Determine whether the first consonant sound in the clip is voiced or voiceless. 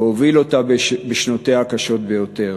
voiced